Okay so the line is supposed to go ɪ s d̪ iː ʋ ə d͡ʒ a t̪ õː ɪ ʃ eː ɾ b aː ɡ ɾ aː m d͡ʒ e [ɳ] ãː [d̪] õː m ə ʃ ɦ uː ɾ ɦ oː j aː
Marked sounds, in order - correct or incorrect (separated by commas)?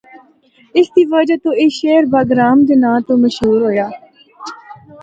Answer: incorrect, incorrect